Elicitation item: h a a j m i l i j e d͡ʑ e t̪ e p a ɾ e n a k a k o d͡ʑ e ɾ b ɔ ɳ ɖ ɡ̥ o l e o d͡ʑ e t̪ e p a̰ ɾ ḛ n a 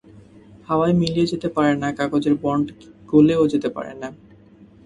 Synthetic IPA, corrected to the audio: h a a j m i l i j e d͡ʑ e t̪ e p a ɾ e n a k a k o d͡ʑ e ɾ b ɔ ɳ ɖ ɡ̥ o l e o d͡ʑ e t̪ e p a̰ ɾ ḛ n a